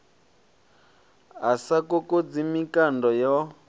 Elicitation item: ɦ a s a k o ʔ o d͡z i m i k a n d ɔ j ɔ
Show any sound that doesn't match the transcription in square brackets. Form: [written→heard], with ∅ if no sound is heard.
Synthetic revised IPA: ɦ a s a k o [ʔ→k] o d͡z i m i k a n d ɔ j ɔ